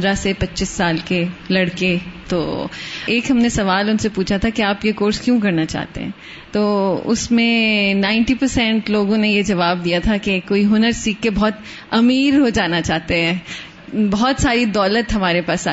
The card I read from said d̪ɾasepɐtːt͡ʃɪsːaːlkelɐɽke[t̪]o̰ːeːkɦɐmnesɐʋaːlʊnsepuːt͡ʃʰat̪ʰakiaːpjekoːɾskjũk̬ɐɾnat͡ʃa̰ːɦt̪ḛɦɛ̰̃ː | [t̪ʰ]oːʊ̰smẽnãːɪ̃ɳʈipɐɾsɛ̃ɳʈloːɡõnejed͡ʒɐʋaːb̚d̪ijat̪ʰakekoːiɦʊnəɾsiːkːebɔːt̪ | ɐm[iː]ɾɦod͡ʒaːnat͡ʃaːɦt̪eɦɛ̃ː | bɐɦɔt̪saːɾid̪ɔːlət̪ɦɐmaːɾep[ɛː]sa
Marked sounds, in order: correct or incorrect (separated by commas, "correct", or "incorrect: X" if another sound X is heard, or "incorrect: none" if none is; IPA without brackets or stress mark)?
correct, incorrect: t̪, correct, incorrect: aː